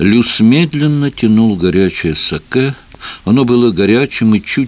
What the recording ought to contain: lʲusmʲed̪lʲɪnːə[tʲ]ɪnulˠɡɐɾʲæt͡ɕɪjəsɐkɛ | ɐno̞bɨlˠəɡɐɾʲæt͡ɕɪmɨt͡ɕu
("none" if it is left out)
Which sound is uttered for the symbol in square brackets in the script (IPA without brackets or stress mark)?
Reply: tʲ